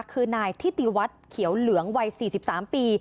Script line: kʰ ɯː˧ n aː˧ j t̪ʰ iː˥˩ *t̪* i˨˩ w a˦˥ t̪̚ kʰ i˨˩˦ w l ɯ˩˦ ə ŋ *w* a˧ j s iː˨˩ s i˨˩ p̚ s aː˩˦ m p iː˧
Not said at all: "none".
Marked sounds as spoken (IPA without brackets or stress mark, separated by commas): t̪, w